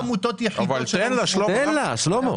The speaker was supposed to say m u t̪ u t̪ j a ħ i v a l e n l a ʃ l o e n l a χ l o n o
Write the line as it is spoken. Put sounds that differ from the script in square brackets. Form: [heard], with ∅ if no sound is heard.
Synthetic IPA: m u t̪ [o] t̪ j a ħ i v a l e n l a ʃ l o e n l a [ʃ] l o [m] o